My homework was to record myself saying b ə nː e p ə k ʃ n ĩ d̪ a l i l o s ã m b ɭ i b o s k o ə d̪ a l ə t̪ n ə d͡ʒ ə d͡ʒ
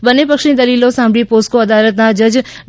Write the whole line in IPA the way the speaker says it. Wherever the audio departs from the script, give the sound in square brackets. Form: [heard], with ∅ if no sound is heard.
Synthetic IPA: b ə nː e p ə k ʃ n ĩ d̪ [ə] l i l o s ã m b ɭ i [p] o s k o ə d̪ a l ə t̪ n [a] d͡ʒ ə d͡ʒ